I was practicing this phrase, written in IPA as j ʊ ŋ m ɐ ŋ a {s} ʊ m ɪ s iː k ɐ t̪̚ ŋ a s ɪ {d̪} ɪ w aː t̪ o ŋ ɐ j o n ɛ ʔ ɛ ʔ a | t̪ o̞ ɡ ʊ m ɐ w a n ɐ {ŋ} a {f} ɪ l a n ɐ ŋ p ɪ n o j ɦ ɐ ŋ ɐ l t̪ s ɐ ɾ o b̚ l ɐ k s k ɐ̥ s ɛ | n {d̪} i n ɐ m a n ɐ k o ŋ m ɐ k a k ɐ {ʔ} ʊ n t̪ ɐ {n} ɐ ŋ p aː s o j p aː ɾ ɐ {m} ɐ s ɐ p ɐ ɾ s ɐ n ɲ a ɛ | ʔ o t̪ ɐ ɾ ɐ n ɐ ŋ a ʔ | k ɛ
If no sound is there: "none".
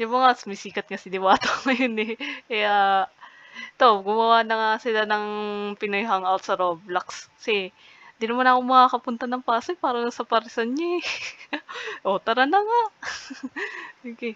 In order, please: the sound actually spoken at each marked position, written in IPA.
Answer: s, d̪, ŋ, s, d̪, p, n, n

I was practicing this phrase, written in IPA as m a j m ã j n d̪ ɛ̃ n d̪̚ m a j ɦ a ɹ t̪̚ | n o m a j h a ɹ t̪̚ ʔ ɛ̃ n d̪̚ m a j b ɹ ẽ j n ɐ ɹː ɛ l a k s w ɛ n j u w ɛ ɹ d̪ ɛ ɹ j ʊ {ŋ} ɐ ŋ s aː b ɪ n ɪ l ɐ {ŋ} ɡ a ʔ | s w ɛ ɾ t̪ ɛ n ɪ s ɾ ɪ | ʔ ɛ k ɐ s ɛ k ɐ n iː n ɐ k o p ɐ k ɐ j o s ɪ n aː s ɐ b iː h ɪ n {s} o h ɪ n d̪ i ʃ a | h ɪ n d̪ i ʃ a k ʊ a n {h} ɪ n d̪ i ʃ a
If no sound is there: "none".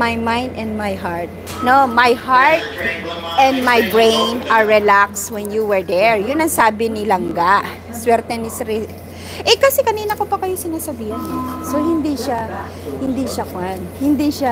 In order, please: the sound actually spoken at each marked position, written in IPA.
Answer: n, ŋ, s, h

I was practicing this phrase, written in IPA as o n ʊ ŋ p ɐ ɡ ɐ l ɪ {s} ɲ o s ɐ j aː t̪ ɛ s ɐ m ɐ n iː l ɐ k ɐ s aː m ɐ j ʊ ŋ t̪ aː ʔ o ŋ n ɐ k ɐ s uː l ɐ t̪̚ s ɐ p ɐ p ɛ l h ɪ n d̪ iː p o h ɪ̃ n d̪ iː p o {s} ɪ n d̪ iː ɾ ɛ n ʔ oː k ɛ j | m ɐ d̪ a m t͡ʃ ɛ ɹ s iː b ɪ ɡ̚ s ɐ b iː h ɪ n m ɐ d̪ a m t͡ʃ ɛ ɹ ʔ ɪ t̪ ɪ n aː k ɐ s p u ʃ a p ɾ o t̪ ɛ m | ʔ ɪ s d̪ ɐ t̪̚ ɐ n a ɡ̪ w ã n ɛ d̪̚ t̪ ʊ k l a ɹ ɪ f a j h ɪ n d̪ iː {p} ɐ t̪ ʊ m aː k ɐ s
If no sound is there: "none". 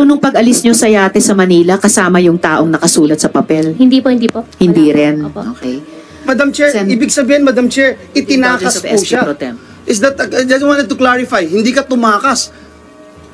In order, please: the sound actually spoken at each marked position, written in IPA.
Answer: s, h, k

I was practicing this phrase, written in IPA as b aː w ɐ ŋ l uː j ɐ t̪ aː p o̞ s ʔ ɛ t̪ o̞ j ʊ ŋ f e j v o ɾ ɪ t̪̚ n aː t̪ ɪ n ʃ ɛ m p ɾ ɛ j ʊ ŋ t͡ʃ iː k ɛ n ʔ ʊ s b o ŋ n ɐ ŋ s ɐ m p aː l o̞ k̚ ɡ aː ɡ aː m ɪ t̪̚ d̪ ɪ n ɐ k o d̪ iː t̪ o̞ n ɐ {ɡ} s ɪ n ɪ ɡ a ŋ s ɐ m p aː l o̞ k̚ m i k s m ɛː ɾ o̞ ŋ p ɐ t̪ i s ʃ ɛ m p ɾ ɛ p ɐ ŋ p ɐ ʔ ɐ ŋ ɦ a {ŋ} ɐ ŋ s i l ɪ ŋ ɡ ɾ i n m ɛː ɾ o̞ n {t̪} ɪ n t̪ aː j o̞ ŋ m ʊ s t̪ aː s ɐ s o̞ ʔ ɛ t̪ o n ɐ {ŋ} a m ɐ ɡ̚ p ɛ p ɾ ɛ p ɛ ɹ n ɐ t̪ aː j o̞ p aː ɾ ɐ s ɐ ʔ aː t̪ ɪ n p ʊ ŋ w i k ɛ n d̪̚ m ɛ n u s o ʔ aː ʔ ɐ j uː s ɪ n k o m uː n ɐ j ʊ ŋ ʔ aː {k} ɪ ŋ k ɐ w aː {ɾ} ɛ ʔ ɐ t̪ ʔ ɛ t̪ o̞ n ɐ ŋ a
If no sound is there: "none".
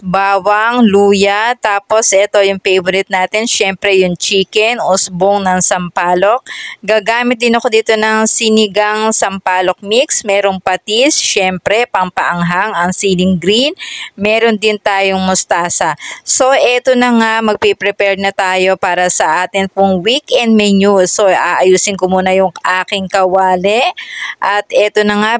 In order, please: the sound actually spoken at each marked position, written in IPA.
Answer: ŋ, ŋ, d̪, ŋ, k, l

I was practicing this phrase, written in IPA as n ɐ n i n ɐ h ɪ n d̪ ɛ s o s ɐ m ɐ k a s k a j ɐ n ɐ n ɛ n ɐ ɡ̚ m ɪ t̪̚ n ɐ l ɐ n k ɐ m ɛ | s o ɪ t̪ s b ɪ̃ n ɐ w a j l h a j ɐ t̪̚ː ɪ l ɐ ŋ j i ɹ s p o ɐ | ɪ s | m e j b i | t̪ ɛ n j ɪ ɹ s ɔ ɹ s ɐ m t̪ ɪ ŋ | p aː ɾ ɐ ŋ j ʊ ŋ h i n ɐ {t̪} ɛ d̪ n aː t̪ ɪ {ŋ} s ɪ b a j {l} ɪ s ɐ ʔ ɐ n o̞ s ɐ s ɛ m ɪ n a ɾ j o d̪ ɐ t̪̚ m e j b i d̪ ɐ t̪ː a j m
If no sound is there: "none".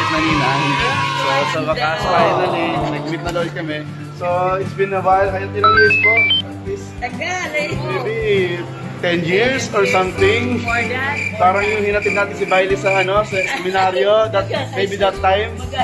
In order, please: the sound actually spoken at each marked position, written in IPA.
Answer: t̪, n, l

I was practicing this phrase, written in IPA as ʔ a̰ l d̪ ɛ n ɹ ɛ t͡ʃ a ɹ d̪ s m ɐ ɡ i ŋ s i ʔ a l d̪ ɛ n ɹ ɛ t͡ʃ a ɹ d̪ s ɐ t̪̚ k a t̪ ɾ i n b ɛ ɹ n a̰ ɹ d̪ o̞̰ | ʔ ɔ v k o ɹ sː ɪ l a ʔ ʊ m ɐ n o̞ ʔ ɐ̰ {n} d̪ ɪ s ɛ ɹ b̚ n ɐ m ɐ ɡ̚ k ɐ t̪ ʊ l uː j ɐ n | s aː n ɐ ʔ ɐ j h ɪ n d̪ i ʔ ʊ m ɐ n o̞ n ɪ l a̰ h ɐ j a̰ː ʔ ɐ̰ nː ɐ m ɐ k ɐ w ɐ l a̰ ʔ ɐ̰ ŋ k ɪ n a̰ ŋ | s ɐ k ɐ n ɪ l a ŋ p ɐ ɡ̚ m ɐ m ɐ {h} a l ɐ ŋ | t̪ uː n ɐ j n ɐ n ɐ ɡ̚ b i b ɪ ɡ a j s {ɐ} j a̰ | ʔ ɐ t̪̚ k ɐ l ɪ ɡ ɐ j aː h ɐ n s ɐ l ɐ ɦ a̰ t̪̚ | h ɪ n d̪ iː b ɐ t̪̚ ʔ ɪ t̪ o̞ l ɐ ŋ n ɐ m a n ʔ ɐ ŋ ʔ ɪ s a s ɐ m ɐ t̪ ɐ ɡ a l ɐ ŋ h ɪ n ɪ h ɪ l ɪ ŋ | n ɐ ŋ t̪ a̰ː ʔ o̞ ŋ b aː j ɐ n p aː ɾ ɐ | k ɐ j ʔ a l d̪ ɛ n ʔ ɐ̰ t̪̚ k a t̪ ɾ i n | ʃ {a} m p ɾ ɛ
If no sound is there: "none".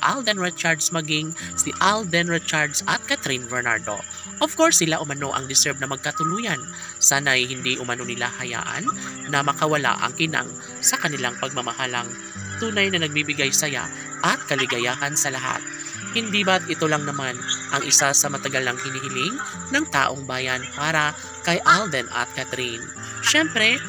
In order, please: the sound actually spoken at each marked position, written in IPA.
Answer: ŋ, h, ɐ, ɛ

